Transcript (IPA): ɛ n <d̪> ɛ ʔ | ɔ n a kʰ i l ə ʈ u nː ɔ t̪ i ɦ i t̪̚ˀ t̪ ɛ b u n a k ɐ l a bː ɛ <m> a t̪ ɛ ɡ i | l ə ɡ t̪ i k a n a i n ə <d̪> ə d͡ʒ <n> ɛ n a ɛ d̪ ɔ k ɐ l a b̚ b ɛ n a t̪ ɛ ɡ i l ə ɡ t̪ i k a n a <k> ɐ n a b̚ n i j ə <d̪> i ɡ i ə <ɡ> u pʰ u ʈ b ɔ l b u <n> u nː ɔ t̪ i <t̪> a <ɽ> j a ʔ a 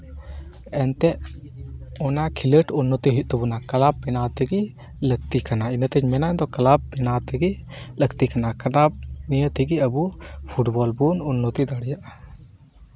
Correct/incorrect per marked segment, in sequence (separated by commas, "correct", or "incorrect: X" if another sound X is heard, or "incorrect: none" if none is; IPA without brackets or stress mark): incorrect: t̪, incorrect: n, incorrect: t̪, incorrect: m, correct, incorrect: t̪, incorrect: b, correct, incorrect: d̪, correct